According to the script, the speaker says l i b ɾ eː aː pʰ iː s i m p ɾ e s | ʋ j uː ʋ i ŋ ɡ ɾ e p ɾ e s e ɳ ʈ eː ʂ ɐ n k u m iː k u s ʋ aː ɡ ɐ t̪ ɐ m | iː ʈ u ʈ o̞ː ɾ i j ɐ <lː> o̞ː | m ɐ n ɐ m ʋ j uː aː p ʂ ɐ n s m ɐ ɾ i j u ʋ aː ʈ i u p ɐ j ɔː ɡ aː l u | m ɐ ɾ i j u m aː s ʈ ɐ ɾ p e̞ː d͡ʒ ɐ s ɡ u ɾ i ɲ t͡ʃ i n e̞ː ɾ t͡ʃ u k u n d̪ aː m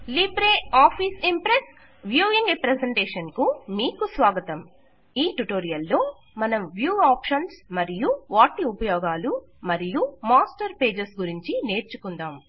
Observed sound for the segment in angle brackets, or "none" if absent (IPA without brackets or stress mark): lː